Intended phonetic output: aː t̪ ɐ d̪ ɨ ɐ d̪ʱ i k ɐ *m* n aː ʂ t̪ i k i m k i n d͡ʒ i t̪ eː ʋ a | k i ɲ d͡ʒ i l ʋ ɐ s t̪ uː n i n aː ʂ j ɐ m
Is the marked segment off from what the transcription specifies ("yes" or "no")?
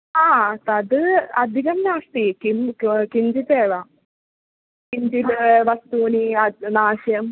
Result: no